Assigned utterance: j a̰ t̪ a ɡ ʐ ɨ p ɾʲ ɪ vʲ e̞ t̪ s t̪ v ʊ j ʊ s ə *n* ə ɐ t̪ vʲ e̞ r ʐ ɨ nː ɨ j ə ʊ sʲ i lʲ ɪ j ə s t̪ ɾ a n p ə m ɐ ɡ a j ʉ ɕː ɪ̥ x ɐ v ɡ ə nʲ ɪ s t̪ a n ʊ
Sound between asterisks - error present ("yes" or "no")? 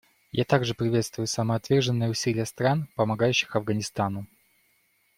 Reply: yes